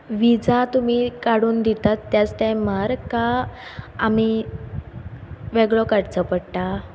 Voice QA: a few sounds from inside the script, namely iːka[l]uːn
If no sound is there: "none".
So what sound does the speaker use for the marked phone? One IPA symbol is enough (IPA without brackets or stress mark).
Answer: ɽ